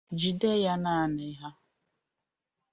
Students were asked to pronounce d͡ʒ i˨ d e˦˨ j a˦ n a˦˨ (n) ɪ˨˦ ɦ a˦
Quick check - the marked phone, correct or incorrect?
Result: correct